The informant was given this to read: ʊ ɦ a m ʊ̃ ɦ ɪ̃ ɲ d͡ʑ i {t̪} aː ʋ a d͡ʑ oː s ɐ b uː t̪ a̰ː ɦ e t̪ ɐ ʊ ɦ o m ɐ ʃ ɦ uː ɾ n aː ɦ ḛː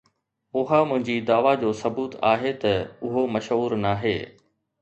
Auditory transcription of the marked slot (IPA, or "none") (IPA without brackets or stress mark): d̪